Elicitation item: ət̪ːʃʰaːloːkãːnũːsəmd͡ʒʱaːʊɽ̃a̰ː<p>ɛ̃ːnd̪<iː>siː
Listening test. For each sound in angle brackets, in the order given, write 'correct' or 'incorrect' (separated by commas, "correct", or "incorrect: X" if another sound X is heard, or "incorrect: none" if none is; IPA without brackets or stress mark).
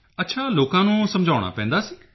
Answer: correct, incorrect: aː